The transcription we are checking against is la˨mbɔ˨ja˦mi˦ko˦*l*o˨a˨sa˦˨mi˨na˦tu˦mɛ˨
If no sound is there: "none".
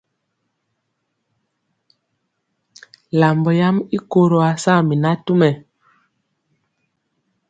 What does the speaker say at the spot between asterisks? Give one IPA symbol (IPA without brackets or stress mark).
ɾ